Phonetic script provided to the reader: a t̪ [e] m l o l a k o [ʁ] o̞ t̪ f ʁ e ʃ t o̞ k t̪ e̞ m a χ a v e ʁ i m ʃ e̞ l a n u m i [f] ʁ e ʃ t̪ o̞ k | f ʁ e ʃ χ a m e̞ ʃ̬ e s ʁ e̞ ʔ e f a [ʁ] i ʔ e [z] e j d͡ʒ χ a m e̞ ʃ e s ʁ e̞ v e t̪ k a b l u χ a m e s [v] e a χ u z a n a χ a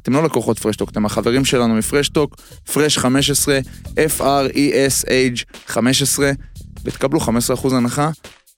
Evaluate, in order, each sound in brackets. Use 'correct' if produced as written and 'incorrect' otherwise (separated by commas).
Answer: correct, incorrect, correct, correct, incorrect, incorrect